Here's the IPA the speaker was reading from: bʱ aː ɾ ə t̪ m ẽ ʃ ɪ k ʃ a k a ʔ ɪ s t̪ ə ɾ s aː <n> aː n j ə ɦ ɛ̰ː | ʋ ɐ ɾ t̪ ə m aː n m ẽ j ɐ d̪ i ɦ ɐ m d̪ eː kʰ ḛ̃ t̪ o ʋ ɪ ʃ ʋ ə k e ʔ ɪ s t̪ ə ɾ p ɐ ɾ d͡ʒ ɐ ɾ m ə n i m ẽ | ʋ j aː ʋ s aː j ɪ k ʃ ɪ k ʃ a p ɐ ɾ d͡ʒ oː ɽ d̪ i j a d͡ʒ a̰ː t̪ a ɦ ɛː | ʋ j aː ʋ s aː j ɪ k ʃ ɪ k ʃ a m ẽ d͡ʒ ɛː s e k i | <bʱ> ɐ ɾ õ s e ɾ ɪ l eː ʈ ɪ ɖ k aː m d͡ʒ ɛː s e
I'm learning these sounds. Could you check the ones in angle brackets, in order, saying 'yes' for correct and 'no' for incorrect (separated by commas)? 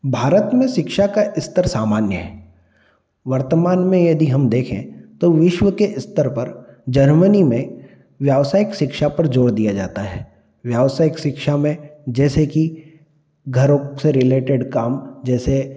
no, no